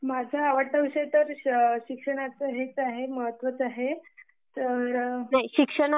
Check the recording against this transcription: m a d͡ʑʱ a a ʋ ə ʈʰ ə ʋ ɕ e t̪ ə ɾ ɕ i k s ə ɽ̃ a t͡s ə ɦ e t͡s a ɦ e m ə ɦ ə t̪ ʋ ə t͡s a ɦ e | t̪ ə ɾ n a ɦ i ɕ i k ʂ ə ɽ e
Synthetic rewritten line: m a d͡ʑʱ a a ʋ ə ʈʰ ə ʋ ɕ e t̪ ə ɾ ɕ i k ʂ ə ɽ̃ a t͡s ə ɦ e t͡s a ɦ e m ə ɦ ə t̪ ʋ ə t͡s a ɦ e | t̪ ə ɾ n a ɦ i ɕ i k ʂ ə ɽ a